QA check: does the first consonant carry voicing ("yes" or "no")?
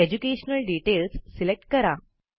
yes